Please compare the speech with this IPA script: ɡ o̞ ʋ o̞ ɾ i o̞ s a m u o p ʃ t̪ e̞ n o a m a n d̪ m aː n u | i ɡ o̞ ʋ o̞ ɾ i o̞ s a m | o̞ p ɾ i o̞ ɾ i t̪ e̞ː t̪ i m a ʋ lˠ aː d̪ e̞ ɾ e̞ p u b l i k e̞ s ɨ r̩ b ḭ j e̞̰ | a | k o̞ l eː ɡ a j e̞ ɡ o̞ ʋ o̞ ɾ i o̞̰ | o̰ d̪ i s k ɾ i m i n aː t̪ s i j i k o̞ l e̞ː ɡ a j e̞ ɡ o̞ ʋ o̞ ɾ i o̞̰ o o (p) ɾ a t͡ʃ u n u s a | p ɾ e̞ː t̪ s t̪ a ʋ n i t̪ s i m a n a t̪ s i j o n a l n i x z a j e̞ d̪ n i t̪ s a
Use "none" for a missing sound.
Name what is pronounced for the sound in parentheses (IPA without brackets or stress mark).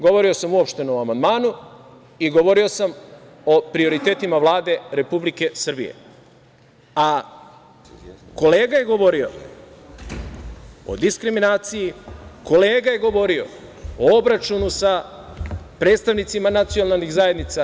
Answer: b